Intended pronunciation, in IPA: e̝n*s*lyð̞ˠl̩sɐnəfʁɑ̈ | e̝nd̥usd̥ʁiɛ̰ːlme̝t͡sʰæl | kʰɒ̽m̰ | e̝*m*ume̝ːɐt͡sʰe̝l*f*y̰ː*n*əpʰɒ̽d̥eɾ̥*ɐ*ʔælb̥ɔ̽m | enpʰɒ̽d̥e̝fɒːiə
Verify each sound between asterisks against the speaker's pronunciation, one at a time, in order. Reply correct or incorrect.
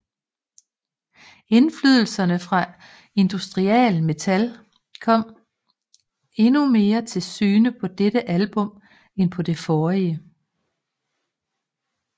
incorrect: f, incorrect: n, incorrect: s, correct, incorrect: ə

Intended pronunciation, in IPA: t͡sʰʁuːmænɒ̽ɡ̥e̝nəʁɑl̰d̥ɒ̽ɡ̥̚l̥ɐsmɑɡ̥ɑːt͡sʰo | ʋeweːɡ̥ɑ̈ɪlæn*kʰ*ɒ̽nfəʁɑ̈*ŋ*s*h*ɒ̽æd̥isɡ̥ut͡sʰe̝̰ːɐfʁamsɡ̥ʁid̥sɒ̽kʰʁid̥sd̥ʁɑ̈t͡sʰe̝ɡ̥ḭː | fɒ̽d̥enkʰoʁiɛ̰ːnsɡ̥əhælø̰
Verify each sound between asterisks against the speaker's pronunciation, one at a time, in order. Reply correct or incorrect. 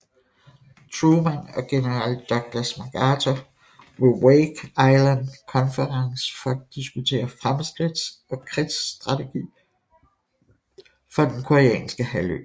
correct, correct, incorrect: f

